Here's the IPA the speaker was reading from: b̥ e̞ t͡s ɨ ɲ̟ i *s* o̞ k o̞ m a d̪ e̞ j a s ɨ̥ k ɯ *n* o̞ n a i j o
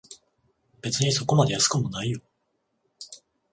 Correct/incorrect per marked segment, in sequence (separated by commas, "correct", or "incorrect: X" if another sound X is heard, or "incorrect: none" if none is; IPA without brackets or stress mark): correct, incorrect: m